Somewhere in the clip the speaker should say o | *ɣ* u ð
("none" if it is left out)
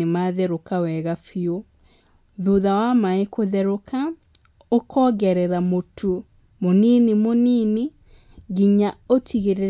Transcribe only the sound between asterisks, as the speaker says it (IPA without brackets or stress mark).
ð